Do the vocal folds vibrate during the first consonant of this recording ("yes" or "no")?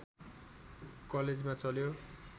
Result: no